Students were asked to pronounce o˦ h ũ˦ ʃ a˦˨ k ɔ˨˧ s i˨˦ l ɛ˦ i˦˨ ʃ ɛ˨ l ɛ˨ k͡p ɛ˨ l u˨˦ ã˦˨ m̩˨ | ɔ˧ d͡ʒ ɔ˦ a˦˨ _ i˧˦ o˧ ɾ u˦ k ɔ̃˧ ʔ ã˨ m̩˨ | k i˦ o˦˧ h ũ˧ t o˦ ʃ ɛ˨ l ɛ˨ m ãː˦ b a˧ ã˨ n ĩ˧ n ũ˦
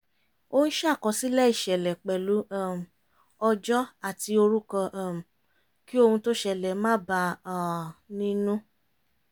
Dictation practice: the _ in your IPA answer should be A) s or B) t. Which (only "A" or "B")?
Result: B